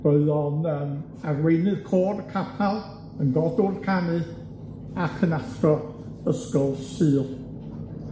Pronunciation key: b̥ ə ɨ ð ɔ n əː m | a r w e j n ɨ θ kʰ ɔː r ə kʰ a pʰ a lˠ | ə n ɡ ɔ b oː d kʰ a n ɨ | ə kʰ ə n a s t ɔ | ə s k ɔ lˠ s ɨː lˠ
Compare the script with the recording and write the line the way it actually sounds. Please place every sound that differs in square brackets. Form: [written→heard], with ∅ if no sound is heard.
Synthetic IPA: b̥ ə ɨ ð ɔ n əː m | a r w e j n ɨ [θ→ð] kʰ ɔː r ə kʰ a pʰ a lˠ | ə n ɡ ɔ [b→d] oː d kʰ a n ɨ | [ə→a] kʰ ə n a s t ɔ | ə s k ɔ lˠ s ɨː lˠ

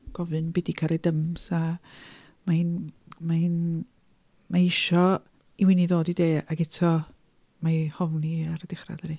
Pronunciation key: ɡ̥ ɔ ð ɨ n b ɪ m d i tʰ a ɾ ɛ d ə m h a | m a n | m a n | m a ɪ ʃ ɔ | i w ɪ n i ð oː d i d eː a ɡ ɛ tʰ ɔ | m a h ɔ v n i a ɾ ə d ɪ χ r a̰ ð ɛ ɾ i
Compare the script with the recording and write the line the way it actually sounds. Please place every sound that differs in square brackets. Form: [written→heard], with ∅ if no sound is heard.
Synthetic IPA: ɡ̥ ɔ [ð→v] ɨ n b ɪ [m→∅] d i [tʰ→kʰ] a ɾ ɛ d ə m [h→s] a | m a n | m a n | m a ɪ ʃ ɔ | i w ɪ n i ð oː d i d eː a ɡ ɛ tʰ ɔ | m a h ɔ v n i a ɾ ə d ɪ χ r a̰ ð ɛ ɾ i

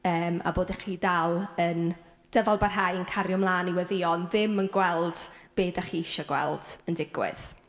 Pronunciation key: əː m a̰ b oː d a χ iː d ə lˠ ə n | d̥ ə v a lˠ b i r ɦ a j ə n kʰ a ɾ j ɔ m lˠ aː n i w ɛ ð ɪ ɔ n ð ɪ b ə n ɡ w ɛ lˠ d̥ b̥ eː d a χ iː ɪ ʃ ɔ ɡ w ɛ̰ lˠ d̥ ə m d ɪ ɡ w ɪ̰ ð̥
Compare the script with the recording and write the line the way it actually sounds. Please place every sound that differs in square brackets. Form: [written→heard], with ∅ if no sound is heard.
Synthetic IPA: əː m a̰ b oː d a χ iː d [ə→a] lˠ ə n | d̥ ə v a lˠ b [i→a] r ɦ a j ə n kʰ a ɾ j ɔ m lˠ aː n i w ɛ ð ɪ ɔ n ð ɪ [b→m] ə n ɡ w ɛ lˠ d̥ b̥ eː d a χ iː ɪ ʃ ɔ ɡ w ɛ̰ lˠ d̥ ə [m→n] d ɪ ɡ w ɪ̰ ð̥

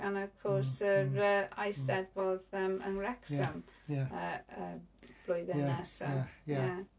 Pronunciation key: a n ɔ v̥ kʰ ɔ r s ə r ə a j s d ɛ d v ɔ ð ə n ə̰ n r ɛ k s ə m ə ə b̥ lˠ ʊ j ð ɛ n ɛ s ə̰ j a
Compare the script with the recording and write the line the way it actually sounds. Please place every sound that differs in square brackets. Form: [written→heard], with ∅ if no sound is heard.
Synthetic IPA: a n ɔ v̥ kʰ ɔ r s ə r ə a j s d ɛ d v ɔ ð ə [n→m] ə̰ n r ɛ k s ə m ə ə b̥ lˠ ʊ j ð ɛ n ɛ s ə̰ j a

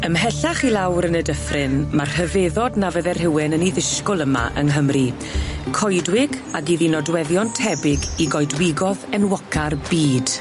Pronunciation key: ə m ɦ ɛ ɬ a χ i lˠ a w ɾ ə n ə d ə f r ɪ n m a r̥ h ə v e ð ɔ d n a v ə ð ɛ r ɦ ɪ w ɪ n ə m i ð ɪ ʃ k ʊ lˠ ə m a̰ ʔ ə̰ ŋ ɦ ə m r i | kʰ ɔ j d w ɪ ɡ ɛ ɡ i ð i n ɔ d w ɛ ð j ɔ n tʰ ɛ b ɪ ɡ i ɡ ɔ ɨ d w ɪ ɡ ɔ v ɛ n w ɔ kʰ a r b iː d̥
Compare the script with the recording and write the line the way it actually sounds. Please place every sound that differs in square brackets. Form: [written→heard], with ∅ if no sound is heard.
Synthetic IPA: ə m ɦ ɛ ɬ a χ i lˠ a w ɾ ə n ə d ə f r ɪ n m a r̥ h ə v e ð ɔ d n a v ə ð ɛ r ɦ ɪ w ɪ n ə [m→n] i ð ɪ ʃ k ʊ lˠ ə m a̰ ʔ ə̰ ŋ ɦ ə m r i | kʰ ɔ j d w ɪ ɡ [ɛ→a] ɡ i ð i n ɔ d w ɛ ð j ɔ n tʰ ɛ b ɪ ɡ i ɡ ɔ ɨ d w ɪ ɡ ɔ [v→ð] ɛ n w ɔ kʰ a r b iː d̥

